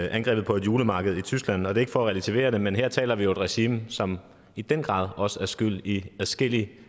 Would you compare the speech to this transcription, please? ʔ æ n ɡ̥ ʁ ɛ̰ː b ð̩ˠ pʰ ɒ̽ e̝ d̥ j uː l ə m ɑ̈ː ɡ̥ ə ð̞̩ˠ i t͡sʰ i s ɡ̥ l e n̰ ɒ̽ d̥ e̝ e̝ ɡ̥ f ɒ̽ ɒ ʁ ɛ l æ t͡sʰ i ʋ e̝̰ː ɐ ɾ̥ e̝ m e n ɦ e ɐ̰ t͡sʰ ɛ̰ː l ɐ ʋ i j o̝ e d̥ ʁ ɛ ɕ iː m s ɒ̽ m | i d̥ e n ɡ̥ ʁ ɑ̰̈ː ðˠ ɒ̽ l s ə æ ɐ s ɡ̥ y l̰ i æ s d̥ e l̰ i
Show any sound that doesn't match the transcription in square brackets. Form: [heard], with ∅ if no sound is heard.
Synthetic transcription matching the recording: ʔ æ n ɡ̥ ʁ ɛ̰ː b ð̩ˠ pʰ ɒ̽ e̝ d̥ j uː l ə m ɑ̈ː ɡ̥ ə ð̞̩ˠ i t͡sʰ [y] s ɡ̥ l [æ] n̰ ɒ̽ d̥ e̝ e̝ ɡ̥ f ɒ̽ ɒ ʁ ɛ l æ t͡sʰ i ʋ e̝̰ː ɐ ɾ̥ e̝ m e n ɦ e ɐ̰ t͡sʰ ɛ̰ː l ɐ ʋ i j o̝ e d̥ ʁ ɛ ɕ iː m s ɒ̽ m | i d̥ e n ɡ̥ ʁ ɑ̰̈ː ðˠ ɒ̽ [∅] s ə æ ɐ s ɡ̥ y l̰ i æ s [ɡ̥] e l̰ i

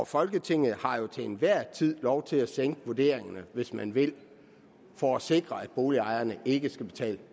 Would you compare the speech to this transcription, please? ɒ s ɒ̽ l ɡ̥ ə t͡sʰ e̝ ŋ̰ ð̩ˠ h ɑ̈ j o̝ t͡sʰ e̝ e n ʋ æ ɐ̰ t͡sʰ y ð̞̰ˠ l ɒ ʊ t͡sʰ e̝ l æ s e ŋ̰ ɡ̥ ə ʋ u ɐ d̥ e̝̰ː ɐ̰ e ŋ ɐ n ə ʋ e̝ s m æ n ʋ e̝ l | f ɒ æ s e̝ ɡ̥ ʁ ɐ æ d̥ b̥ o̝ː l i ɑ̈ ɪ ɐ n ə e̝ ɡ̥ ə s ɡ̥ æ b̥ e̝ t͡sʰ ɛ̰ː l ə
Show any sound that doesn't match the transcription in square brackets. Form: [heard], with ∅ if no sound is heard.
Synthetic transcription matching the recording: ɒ [f] ɒ̽ l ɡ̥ ə t͡sʰ e̝ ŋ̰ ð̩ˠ h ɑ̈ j o̝ t͡sʰ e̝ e n ʋ æ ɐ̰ t͡sʰ [i] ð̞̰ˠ l ɒ ʊ t͡sʰ e̝ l æ s e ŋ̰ ɡ̥ ə ʋ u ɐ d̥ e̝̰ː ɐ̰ e ŋ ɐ n ə ʋ e̝ s m æ n ʋ e̝ l | f ɒ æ s e̝ ɡ̥ ʁ ɐ æ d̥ b̥ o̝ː l i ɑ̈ ɪ ɐ n ə e̝ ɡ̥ ə s ɡ̥ æ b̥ e̝ t͡sʰ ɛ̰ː l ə

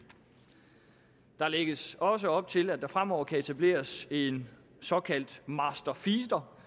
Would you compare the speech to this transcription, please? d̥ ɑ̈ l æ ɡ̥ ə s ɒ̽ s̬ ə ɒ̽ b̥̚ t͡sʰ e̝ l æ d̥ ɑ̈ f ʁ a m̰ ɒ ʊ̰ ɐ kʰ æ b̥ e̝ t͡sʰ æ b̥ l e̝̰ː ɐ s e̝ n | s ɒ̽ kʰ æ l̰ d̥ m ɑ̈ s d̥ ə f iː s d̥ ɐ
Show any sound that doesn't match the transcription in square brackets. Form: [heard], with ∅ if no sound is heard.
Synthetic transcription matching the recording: d̥ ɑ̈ l [e] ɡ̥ ə s ɒ̽ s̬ ə ɒ̽ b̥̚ t͡sʰ e̝ l æ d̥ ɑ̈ f ʁ a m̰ ɒ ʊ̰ ɐ kʰ æ [∅] e̝ t͡sʰ æ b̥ l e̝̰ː ɐ s e̝ n | s ɒ̽ kʰ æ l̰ d̥ m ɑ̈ s d̥ [ɐ] f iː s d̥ ɐ

